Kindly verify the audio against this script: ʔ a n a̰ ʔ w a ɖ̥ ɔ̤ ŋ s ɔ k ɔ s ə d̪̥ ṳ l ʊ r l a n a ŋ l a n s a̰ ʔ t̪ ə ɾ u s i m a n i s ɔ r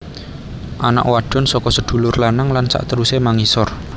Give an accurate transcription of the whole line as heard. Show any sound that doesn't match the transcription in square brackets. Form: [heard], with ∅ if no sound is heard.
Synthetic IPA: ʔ a n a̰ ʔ w a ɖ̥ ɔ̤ [n] s ɔ k ɔ s ə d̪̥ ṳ l ʊ r l a n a ŋ l a n s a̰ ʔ t̪ ə ɾ u s [e] m a [ŋ] i s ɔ r